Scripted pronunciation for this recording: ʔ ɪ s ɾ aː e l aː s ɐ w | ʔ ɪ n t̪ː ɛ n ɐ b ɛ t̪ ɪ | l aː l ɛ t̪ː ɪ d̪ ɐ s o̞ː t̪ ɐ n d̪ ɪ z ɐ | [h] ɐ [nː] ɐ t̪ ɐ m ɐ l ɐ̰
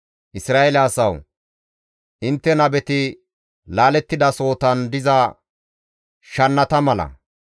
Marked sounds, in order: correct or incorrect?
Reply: incorrect, correct

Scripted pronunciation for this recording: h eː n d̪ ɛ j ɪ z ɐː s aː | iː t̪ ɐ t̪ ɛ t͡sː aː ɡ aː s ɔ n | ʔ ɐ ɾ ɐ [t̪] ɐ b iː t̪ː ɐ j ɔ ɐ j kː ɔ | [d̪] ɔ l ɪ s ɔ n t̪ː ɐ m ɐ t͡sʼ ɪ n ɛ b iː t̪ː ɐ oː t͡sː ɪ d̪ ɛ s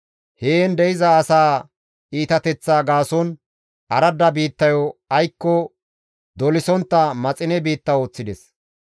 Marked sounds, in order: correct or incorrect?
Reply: incorrect, correct

